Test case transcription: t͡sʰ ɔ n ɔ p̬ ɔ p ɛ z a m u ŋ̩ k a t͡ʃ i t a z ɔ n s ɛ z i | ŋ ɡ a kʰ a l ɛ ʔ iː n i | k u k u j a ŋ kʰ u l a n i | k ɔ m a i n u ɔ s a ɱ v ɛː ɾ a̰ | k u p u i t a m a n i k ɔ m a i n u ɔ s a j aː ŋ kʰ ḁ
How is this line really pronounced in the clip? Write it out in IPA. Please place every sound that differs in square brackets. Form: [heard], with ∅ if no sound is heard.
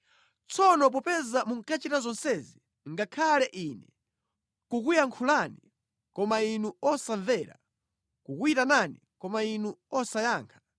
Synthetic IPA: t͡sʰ ɔ n ɔ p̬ ɔ p ɛ z a m u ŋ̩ k a t͡ʃ i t a z ɔ n s ɛ z i | ŋ ɡ a kʰ a l ɛ ʔ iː n [ɛ] | k u k u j a ŋ kʰ u l a n i | k ɔ m a i n u ɔ s a ɱ v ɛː ɾ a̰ | k u [k] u i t a [n] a n i k ɔ m a i n u ɔ s a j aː ŋ kʰ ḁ

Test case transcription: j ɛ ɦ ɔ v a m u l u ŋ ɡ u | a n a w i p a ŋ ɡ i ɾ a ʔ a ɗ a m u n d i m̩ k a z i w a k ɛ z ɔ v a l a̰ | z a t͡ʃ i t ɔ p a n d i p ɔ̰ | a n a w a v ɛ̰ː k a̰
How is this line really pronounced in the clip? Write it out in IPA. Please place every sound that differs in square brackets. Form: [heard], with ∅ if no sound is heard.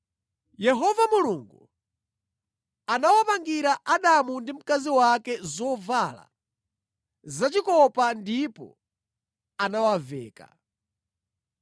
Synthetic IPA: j ɛ ɦ ɔ v a m u l u ŋ ɡ u | a n a w [a] p a ŋ ɡ i ɾ a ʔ a ɗ a m u n d i m̩ k a z i w a k ɛ z ɔ v a l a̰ | z a t͡ʃ i [k] ɔ p a n d i p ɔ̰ | a n a w a v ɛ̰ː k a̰

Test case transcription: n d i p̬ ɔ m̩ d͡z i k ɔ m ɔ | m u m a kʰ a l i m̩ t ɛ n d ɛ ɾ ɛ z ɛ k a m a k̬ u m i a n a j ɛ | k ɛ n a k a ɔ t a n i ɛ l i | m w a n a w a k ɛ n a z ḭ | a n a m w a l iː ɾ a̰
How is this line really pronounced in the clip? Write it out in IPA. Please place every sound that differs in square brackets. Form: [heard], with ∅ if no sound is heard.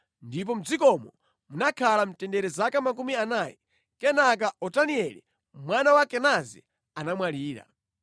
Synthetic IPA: n d i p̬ ɔ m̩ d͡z i k ɔ m ɔ | m u [n] a kʰ a l [a] m̩ t ɛ n d ɛ ɾ ɛ z [a] k a m a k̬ u m i a n a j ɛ | k ɛ n a k a ɔ t a n i ɛ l i | m w a n a w a k ɛ n a z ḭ | a n a m w a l iː ɾ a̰

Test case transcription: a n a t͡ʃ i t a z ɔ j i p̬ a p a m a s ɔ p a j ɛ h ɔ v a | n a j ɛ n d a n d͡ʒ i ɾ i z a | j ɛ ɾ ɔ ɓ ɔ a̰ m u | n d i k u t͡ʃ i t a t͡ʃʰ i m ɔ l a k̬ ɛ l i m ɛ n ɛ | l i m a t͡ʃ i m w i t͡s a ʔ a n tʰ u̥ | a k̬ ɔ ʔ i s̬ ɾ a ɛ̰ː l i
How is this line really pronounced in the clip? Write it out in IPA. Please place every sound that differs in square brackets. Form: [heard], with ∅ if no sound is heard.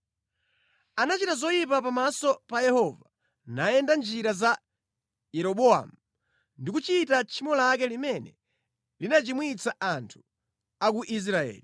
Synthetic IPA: a n a t͡ʃ i t a z ɔ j i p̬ a p a m a s ɔ p a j ɛ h ɔ v a | n a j ɛ n d a n d͡ʒ i ɾ [a] z a | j ɛ ɾ ɔ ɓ ɔ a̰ m u | n d i k u t͡ʃ i t a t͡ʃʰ i m ɔ l a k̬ ɛ l i m ɛ n ɛ | l i [n] a t͡ʃ i m w i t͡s a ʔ a n tʰ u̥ | a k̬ [u] ʔ i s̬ ɾ a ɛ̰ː l i

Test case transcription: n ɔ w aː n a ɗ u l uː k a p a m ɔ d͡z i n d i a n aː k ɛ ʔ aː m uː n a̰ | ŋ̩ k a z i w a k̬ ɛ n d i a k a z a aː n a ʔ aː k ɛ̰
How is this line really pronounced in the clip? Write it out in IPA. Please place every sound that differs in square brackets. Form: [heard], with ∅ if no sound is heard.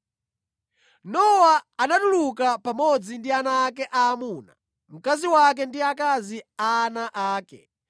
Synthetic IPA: n ɔ w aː n a ɗ u l [u] k a p a m ɔ d͡z i n d i a n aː k ɛ ʔ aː m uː n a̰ | [m̩] k a z i w a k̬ ɛ n d i a k a z [i] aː n a ʔ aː k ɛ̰

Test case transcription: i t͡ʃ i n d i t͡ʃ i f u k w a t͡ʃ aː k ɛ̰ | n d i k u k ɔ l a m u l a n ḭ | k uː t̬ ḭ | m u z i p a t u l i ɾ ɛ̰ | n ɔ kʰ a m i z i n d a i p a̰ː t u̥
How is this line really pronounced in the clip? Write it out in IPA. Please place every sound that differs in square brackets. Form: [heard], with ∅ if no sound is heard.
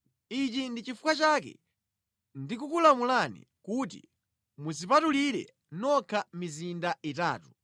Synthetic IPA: i t͡ʃ i n d i t͡ʃ i f u k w a t͡ʃ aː k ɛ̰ | n d i k u k [u] l a m u l a n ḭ | k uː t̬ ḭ | m u z i p a t u l i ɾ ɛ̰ | n ɔ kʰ a m i z i n d a i [t] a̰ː t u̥

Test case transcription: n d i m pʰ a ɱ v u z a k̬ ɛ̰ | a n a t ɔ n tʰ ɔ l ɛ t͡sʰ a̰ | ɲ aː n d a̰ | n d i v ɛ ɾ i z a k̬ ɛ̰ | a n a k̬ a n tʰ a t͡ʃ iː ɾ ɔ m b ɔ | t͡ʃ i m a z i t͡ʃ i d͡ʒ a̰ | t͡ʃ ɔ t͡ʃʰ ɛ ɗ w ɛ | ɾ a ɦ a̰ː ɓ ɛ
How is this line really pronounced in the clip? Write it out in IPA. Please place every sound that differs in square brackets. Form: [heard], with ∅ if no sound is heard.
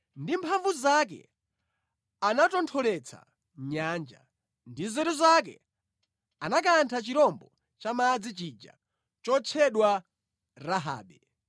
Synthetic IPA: n d i m pʰ a ɱ v u z a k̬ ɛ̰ | a n a t ɔ n tʰ ɔ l ɛ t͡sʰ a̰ | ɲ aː n [d͡ʒ] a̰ | n d i [z] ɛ ɾ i z a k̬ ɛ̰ | a n a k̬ a n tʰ a t͡ʃ [i] ɾ ɔ m b ɔ | t͡ʃ [a] m a [d͡z] i t͡ʃ i d͡ʒ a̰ | t͡ʃ ɔ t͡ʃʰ ɛ ɗ w [a] | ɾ a ɦ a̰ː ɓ ɛ

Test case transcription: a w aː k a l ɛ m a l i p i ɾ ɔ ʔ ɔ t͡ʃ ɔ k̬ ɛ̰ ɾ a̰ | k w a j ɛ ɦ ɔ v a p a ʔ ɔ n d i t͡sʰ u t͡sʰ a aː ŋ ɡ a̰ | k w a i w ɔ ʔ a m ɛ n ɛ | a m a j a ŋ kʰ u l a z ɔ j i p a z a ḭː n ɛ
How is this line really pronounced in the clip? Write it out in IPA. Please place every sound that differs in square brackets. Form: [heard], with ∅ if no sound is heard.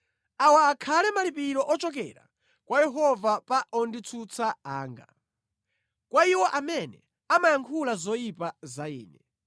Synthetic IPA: a w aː [kʰ] a l ɛ m a l i p i ɾ ɔ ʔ ɔ t͡ʃ ɔ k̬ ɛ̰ ɾ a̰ | k w a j ɛ ɦ ɔ v a p a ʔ ɔ n d i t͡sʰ u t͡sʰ a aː ŋ ɡ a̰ | k w a i w ɔ ʔ a m ɛ n ɛ | a m a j a ŋ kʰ u l a z ɔ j i p a z a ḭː n ɛ

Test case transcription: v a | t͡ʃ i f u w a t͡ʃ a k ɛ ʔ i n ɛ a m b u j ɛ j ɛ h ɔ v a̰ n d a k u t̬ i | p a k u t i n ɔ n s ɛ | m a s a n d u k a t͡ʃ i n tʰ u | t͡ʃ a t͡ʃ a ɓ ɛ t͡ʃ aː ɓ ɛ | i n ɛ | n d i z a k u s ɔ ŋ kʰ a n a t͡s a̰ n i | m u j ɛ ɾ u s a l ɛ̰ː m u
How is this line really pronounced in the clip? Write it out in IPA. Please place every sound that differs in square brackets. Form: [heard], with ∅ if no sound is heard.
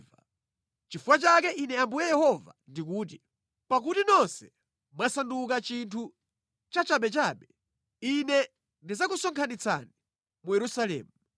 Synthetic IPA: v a | t͡ʃ i f u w a t͡ʃ a k ɛ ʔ i n ɛ a m b u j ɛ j ɛ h ɔ v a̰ n d [i] k [uː] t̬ i | p a k u t i n ɔ n s ɛ | m a s a n d u k a t͡ʃ i n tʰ u | t͡ʃ a t͡ʃ a ɓ ɛ t͡ʃ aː ɓ ɛ | i n ɛ | n d i z a k u s ɔ ŋ kʰ a n [i] t͡s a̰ n i | m u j ɛ ɾ u s a l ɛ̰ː m u

